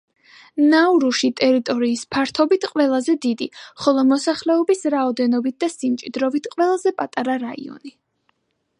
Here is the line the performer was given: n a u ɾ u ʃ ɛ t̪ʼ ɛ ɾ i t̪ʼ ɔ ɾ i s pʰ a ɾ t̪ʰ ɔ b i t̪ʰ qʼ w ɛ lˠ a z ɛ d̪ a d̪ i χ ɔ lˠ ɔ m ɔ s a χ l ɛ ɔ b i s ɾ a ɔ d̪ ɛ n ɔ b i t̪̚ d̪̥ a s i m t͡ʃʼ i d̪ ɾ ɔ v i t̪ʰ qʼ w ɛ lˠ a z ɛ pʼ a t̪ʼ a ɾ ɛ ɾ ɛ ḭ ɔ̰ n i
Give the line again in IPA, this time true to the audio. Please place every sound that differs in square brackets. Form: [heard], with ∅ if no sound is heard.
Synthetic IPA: n a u ɾ u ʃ [i] t̪ʼ ɛ ɾ i t̪ʼ ɔ ɾ [iː] s pʰ a ɾ t̪ʰ ɔ b i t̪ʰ qʼ w ɛ lˠ a z ɛ d̪ [i] d̪ i χ ɔ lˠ ɔ m ɔ s a χ l ɛ ɔ b i s ɾ a ɔ d̪ ɛ n ɔ b i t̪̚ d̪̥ a s i m t͡ʃʼ i d̪ ɾ ɔ v i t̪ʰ qʼ w ɛ lˠ a z ɛ pʼ a t̪ʼ a ɾ [a] ɾ [a] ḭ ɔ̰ n i

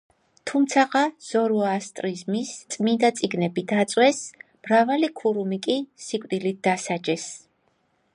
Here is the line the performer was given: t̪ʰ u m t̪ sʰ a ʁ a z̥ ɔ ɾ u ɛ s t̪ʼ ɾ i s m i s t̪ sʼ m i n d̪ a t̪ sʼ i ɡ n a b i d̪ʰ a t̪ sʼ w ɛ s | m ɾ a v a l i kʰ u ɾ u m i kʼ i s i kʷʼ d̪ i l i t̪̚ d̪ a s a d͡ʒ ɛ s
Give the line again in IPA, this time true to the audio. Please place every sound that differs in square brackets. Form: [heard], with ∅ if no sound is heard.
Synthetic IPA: t̪ʰ u m t̪ sʰ a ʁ a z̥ ɔ ɾ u [a] s t̪ʼ ɾ i [z] m i s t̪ sʼ m i n d̪ a t̪ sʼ i ɡ n [ɛ] b i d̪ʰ a t̪ sʼ w ɛ s | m ɾ a v a l i kʰ u ɾ u m i kʼ i s i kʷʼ d̪ i l i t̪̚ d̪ a s a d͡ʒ ɛ s

